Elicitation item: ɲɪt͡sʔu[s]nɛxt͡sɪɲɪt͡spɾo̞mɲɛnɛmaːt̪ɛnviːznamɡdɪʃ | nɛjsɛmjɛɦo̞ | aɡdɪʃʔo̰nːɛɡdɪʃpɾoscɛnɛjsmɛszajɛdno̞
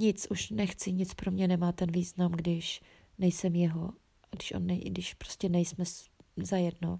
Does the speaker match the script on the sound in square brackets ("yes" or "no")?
no